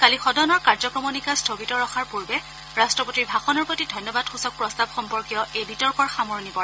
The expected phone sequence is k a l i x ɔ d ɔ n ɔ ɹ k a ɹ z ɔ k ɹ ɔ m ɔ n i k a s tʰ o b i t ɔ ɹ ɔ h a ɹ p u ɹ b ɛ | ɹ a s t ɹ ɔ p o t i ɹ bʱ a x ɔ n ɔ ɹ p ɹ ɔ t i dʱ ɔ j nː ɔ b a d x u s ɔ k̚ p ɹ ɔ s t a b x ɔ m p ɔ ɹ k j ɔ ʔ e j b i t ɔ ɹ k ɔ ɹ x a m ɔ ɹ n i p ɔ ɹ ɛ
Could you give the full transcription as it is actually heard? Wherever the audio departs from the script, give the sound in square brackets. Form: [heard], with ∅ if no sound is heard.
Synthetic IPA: k a l i x ɔ d ɔ n ɔ ɹ k a ɹ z ɔ k ɹ ɔ m ɔ n i k a s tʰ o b i t ɔ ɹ ɔ [x] a ɹ p u ɹ b ɛ | ɹ a s t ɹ ɔ p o t i ɹ bʱ a x ɔ n ɔ ɹ p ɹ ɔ t i dʱ ɔ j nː ɔ b a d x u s ɔ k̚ p ɹ ɔ s t a b x ɔ m p ɔ ɹ k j ɔ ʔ e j b i t ɔ ɹ k ɔ ɹ x a m ɔ ɹ n i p ɔ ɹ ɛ